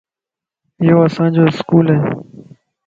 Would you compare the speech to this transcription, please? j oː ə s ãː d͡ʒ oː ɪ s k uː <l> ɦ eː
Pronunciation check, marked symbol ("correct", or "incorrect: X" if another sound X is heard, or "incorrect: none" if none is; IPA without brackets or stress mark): correct